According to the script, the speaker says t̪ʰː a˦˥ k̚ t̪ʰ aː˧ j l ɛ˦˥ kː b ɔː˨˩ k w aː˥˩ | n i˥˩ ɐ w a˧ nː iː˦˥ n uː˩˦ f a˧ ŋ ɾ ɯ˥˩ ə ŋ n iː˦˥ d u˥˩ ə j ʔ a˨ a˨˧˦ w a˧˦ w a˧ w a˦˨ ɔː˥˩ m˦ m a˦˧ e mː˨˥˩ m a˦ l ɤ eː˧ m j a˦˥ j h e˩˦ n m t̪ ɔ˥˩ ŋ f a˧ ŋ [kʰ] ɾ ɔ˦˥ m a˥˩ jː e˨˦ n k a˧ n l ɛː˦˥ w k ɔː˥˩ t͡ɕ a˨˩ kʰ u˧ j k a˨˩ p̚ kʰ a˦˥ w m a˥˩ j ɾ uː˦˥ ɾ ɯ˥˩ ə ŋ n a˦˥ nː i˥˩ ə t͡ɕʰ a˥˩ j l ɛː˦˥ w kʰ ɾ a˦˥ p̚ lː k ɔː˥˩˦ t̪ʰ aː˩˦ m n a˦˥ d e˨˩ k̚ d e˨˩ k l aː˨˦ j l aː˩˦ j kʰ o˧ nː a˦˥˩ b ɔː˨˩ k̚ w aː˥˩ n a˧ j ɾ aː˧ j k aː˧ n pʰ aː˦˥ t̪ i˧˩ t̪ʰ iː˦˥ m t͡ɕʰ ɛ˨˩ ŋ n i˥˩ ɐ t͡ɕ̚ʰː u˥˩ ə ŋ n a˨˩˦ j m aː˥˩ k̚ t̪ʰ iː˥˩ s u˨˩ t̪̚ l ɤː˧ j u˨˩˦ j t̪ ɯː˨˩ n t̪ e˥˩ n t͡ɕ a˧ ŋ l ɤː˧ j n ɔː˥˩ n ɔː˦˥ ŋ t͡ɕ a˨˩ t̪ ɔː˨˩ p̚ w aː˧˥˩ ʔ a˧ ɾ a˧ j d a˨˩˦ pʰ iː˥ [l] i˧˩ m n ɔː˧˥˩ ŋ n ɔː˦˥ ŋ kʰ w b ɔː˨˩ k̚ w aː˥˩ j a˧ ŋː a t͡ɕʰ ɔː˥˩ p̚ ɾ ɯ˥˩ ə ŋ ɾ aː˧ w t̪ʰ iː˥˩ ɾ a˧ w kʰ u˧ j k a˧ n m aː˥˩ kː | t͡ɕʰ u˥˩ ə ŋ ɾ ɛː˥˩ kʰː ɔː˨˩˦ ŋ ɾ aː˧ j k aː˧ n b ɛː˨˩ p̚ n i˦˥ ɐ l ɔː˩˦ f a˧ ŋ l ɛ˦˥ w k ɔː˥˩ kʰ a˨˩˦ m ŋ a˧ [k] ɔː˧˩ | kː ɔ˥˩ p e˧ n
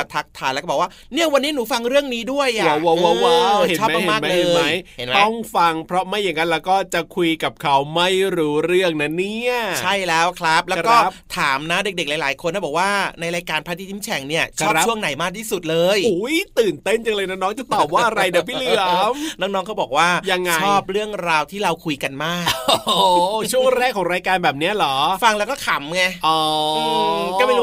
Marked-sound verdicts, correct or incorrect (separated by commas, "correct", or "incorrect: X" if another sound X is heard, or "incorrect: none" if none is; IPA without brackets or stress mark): incorrect: pʰ, correct, incorrect: ʔ